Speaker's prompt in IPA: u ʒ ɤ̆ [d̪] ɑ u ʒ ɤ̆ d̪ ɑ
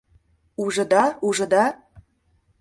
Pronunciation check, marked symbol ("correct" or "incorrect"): correct